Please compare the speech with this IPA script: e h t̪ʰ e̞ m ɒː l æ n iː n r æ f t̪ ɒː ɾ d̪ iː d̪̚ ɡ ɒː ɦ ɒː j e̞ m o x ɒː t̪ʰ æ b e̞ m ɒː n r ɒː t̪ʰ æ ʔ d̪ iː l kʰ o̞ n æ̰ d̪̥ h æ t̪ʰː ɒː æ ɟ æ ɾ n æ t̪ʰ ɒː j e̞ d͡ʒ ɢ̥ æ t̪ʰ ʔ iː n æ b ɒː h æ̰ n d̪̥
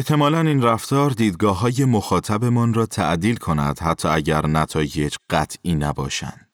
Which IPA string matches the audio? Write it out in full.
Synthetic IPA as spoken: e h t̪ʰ e̞ m ɒː l æ n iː n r æ f t̪ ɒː ɾ d̪ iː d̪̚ ɡ ɒː ɦ ɒː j e̞ m o x ɒː t̪ʰ æ b e̞ m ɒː n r ɒː t̪ʰ æ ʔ d̪ iː l kʰ o̞ n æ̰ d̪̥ h æ t̪ʰː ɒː æ ɟ æ ɾ n æ t̪ʰ ɒː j e̞ d͡ʒ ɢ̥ æ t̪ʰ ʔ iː n æ b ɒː ʃ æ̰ n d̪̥